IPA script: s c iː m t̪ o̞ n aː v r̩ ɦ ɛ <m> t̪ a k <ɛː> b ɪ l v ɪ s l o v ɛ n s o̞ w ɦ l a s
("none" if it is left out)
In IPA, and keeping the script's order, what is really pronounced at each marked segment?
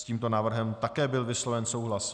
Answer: m, ɛː

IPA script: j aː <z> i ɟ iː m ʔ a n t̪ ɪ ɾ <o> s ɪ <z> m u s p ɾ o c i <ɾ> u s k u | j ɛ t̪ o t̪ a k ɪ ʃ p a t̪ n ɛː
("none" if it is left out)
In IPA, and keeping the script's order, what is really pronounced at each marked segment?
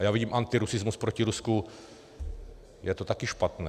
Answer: v, u, z, ɾ

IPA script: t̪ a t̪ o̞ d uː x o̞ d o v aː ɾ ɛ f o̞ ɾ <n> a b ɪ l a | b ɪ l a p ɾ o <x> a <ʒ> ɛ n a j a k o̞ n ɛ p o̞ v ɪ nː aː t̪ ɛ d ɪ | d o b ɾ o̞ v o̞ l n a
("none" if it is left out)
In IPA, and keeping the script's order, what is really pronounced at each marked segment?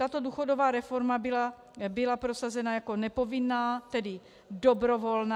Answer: m, s, z

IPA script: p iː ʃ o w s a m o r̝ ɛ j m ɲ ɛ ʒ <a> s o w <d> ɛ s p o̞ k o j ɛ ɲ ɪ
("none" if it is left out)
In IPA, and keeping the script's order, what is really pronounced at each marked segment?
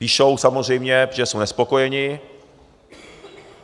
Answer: ɛ, n

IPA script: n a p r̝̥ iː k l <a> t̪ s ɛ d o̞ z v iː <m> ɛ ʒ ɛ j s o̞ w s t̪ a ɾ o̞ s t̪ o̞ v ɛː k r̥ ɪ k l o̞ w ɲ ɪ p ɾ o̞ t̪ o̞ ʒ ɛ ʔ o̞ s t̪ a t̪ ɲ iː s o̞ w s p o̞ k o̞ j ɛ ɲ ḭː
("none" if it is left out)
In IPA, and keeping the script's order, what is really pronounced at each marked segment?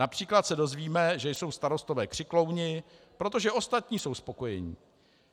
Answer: a, m

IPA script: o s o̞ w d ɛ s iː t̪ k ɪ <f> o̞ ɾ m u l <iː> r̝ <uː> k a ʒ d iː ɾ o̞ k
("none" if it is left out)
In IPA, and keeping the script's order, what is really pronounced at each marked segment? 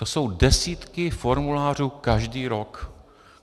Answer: f, aː, uː

